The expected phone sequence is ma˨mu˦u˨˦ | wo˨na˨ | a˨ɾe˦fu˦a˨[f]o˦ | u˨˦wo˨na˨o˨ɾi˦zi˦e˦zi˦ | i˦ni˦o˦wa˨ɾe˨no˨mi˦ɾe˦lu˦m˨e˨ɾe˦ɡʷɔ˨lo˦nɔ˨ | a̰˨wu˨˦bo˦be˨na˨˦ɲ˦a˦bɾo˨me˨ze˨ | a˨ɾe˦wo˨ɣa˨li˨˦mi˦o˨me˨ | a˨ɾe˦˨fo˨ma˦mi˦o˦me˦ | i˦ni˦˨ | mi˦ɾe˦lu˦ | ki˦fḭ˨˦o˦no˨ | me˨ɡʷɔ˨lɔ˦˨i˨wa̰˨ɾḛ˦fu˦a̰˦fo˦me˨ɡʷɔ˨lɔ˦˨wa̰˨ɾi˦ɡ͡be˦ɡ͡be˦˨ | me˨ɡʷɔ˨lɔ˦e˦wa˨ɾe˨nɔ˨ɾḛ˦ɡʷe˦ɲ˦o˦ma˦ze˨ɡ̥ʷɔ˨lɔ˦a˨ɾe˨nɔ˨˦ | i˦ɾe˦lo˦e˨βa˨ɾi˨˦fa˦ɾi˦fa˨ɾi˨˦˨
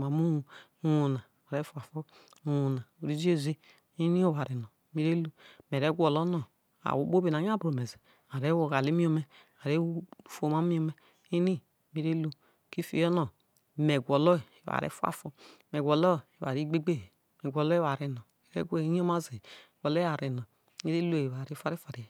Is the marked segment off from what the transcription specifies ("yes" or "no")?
no